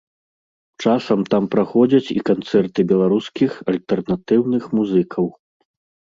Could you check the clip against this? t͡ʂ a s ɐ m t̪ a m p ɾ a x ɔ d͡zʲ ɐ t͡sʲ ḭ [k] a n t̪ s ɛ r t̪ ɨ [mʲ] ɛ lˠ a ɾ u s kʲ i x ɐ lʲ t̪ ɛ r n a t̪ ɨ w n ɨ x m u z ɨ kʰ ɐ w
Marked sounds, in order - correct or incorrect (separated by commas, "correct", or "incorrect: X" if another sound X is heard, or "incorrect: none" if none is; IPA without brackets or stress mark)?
correct, incorrect: bʲ